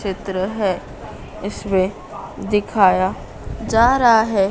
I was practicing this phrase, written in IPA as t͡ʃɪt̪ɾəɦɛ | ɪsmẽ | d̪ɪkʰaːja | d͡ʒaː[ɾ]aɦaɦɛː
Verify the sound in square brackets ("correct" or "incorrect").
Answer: correct